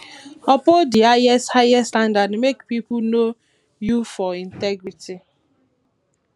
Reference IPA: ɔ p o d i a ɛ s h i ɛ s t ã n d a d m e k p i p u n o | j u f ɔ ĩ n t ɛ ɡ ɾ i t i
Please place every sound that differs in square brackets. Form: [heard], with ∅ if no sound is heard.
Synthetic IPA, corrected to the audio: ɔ p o d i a ɛ s h [a] ɛ s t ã n d a d m e k p i p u n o | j u f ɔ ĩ n t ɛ ɡ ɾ i t i